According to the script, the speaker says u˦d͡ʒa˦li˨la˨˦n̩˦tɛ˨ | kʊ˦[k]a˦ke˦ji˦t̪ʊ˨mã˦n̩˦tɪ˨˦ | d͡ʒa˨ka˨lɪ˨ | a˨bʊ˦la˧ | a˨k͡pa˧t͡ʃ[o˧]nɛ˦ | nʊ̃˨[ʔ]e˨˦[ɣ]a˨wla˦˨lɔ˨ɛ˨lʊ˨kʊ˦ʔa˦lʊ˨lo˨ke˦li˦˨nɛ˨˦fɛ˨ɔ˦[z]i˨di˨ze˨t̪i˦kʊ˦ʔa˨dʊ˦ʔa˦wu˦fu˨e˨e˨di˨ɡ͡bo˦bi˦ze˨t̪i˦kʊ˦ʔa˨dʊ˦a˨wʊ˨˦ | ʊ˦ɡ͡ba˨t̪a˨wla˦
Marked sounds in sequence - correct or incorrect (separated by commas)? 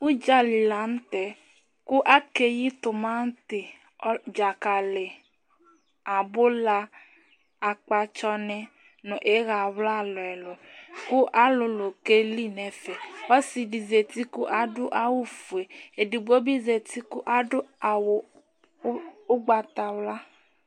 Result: incorrect, incorrect, correct, correct, incorrect